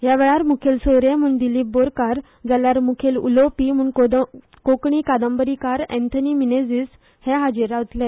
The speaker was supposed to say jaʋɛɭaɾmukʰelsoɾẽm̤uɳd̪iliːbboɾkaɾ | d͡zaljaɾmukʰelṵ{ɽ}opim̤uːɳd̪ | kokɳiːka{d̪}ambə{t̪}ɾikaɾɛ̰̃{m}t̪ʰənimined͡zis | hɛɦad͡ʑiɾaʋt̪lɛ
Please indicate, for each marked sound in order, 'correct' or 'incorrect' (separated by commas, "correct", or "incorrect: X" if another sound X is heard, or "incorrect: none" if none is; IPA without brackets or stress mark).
incorrect: l, correct, incorrect: none, incorrect: n